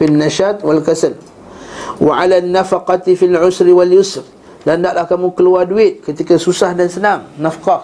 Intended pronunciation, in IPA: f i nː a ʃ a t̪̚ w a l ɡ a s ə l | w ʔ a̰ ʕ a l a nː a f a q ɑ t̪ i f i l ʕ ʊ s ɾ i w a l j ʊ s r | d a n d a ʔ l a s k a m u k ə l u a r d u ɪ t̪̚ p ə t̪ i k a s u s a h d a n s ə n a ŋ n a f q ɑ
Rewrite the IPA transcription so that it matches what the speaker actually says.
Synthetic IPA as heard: f i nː a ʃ a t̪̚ w a l k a s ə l | w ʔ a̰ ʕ a l a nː a f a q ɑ t̪ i f i l ʕ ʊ s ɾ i w a l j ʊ s r | d a n d a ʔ l a h k a m u k ə l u a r d u ɪ t̪̚ k ə t̪ i k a s u s a h d a n s ə n a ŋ n a f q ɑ